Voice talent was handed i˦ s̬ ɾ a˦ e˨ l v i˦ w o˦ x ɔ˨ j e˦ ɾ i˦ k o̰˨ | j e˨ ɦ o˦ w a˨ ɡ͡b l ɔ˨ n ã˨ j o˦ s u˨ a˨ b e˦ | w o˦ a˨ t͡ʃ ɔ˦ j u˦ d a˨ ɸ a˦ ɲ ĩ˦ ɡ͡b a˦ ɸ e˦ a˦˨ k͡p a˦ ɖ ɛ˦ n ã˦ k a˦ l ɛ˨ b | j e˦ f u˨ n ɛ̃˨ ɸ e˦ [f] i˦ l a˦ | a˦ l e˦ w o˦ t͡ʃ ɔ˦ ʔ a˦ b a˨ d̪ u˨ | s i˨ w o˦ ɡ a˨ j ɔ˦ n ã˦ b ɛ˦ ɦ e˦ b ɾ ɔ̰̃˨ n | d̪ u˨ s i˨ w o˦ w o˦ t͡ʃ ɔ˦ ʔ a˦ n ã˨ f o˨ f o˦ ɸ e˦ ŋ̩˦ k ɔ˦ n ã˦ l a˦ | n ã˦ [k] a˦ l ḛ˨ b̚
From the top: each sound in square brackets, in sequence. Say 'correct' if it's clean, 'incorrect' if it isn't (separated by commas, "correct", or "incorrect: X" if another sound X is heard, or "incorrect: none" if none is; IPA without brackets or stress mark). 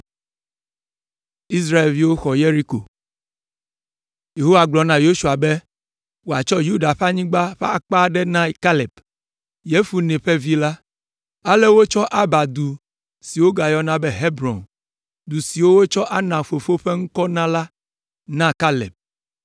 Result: incorrect: v, correct